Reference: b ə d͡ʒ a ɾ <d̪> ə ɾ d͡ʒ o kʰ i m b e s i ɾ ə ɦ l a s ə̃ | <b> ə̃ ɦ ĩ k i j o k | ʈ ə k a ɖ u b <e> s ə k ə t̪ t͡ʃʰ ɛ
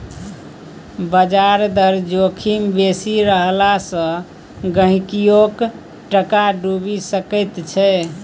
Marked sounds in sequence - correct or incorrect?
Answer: correct, incorrect, incorrect

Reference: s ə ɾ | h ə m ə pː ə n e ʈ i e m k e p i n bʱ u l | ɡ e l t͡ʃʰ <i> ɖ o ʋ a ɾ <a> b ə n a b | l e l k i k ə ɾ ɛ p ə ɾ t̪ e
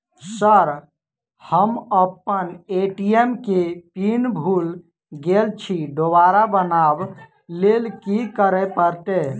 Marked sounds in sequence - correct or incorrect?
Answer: correct, correct

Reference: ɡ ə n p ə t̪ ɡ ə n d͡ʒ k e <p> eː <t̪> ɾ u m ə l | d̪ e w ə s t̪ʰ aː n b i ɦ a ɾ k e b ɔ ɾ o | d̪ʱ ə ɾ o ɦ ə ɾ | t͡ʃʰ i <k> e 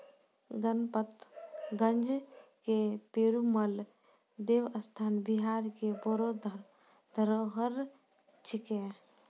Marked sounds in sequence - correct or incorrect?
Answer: correct, incorrect, correct

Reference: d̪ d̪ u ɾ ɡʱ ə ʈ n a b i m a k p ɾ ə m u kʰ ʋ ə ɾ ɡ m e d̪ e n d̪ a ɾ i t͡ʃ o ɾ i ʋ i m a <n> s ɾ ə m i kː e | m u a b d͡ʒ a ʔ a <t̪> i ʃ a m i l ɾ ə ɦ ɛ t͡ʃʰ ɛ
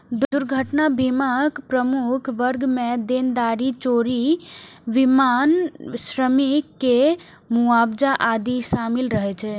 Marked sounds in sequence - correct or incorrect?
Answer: correct, incorrect

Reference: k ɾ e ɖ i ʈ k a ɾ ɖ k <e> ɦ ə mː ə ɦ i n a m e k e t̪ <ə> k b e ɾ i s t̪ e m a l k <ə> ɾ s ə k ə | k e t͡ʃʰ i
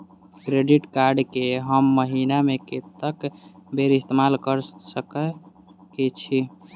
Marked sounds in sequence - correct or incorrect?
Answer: correct, correct, correct

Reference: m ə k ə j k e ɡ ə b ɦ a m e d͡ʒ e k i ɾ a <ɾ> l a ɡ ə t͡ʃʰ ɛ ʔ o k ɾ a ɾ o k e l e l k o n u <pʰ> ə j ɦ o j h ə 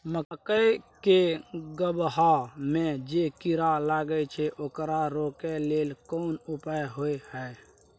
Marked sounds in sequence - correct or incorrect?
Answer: incorrect, incorrect

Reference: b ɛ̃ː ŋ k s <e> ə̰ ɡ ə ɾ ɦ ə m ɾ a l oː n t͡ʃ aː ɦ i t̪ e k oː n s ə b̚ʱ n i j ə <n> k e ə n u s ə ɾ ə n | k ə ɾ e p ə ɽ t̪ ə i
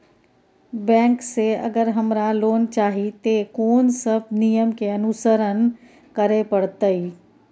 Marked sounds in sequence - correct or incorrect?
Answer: correct, incorrect

